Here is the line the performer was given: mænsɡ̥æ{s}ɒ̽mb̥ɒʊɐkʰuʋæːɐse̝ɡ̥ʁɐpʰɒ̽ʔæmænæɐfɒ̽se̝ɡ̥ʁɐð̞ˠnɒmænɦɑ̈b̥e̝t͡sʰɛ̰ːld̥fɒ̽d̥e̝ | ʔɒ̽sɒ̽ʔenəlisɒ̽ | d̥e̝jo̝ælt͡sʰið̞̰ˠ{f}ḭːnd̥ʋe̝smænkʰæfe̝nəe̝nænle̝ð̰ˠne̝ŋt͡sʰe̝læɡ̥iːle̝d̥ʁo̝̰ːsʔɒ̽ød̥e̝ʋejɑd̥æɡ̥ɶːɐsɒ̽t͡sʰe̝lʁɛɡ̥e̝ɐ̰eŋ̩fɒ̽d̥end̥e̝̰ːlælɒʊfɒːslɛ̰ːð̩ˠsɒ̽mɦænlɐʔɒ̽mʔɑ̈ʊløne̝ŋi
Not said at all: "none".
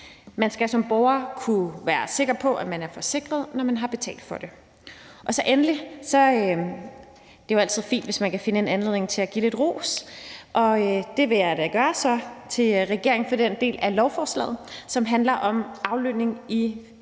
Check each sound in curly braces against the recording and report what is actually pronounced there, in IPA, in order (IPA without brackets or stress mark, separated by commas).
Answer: s, f